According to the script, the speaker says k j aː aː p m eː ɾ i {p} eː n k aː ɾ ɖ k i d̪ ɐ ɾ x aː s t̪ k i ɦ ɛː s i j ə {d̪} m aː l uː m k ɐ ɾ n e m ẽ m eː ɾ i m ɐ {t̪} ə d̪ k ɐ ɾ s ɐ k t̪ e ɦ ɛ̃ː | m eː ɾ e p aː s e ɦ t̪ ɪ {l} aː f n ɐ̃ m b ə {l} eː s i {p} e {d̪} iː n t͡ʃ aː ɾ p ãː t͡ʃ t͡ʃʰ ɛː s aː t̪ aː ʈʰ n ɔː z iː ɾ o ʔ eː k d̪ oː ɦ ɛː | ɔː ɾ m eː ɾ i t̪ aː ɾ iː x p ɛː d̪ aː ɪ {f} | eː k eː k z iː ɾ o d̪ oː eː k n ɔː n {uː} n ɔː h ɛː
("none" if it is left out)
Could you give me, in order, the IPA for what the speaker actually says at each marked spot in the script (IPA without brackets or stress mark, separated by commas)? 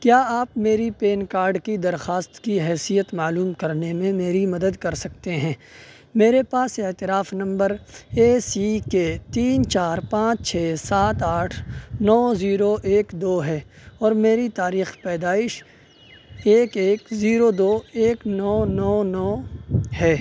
p, t̪, d̪, ɾ, ɾ, k, t̪, ʃ, ɔː